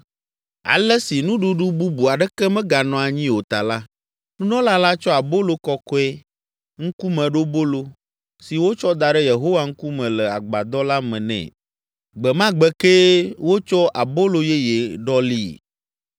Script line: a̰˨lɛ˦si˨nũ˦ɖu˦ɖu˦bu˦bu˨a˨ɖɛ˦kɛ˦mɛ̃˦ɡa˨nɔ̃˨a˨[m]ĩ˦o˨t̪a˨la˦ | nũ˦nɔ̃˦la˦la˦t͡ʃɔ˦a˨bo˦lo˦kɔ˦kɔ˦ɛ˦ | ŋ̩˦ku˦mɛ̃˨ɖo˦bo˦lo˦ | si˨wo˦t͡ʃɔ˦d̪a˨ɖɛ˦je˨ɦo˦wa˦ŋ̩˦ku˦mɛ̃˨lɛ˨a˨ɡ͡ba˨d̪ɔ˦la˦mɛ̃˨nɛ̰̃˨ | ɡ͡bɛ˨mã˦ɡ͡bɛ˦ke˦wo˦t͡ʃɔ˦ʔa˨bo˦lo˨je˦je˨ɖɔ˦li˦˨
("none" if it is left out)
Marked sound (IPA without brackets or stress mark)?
ɲ